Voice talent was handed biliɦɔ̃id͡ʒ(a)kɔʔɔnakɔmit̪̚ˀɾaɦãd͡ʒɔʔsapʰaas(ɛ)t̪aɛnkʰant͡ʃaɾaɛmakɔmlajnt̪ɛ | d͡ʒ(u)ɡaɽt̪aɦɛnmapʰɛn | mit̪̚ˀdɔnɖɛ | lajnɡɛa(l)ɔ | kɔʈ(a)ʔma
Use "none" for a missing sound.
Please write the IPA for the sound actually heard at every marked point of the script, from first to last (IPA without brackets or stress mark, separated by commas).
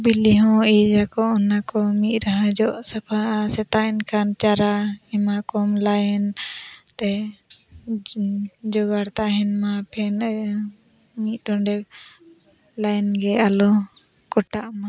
a, ɛ, ɔ, l, a